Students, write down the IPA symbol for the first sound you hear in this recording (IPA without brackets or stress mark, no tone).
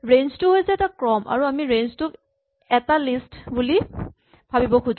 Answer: ɹ